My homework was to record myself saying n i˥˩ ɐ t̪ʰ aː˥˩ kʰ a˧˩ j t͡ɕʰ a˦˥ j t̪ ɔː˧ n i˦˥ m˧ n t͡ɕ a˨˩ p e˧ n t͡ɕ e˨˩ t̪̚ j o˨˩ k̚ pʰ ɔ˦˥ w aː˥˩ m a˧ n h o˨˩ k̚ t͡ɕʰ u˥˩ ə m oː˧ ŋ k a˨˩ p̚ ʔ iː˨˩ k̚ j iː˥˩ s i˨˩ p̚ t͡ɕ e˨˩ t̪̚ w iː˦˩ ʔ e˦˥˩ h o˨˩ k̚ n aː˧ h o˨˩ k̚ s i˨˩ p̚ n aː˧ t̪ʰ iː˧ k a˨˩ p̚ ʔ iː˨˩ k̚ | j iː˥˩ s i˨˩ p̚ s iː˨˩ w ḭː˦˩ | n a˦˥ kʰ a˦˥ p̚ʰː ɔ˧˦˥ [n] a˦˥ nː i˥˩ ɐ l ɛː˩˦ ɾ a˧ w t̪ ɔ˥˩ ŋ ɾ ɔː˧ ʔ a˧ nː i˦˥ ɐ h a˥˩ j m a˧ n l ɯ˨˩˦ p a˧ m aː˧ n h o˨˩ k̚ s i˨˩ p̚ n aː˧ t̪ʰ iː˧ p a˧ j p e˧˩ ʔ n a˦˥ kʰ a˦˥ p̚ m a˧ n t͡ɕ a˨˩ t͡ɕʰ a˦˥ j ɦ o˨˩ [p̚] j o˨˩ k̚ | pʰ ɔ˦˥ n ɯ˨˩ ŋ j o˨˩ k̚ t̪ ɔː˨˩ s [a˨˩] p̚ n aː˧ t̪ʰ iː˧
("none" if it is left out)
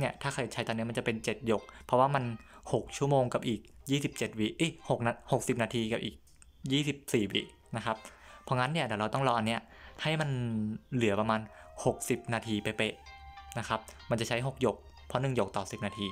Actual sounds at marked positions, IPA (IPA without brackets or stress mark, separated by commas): ŋ, k̚, i˨˩